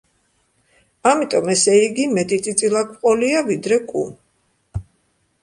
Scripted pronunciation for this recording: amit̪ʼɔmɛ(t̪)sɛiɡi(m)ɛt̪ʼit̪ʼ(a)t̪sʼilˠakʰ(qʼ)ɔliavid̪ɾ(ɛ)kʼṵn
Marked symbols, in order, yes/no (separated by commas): no, yes, no, yes, yes